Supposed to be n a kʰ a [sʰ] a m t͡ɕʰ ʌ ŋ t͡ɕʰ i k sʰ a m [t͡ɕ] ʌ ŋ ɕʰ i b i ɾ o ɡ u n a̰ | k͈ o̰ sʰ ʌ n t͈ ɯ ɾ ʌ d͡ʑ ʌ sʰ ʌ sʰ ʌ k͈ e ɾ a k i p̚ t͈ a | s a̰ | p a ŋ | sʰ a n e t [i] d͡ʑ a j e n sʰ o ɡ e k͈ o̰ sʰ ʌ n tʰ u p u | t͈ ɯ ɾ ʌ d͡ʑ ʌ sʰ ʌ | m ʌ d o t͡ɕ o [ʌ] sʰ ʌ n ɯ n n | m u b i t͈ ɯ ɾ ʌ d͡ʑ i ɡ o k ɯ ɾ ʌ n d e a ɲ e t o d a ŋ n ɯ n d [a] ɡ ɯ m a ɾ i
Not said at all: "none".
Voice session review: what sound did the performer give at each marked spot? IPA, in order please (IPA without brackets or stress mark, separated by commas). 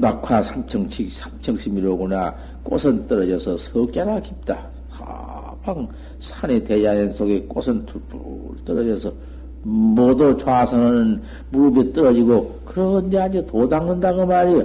sʰ, t͡ɕʰ, e, a, a